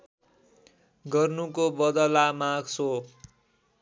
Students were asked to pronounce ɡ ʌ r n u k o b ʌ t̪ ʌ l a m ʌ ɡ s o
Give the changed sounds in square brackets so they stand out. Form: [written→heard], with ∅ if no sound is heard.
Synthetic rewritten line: ɡ ʌ r n u k o b ʌ [t̪→d̪] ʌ l a m [ʌ→a] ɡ s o

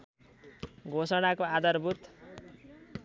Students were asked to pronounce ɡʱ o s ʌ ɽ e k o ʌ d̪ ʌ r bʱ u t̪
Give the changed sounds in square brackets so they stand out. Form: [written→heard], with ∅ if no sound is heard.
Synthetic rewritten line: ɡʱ o s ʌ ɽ [e→a] k o [ʌ→a] d̪ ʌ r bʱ u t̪

